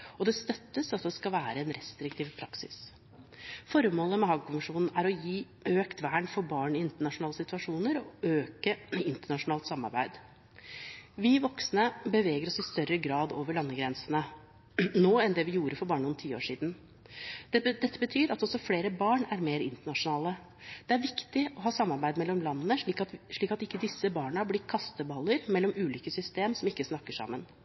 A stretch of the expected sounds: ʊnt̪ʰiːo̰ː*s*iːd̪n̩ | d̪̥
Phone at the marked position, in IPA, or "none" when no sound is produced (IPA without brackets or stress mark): ʂ